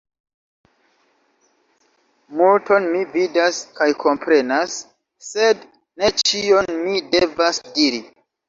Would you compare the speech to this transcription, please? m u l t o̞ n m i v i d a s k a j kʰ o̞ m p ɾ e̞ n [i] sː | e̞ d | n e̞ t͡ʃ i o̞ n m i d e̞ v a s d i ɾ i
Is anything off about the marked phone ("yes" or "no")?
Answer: yes